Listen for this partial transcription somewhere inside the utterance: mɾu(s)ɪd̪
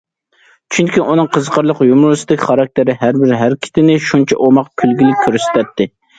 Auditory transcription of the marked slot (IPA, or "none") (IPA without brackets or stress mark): s